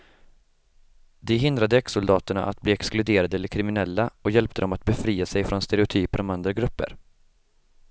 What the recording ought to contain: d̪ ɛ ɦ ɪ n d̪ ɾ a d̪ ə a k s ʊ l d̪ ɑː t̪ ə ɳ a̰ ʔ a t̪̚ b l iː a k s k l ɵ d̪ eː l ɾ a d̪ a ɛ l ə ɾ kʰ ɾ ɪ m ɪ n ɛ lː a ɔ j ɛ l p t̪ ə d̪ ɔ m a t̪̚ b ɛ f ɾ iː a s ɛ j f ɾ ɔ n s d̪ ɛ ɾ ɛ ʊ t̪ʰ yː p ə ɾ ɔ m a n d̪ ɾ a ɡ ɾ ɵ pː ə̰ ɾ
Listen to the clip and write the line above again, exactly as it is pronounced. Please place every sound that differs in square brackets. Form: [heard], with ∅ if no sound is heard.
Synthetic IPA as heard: d̪ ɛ ɦ ɪ n d̪ ɾ a d̪ ə [ɛ] k s ʊ l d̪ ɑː t̪ ə ɳ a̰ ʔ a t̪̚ b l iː [ɛ] k s k l ɵ d̪ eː [∅] ɾ a d̪ [ə] ɛ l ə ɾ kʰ ɾ ɪ m ɪ n ɛ lː a ɔ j ɛ l p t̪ ə d̪ ɔ m a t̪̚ b ɛ f ɾ iː a s ɛ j f ɾ ɔ n s [t̪] ɛ ɾ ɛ ʊ t̪ʰ yː p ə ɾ ɔ m a n d̪ ɾ a ɡ ɾ ɵ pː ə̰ ɾ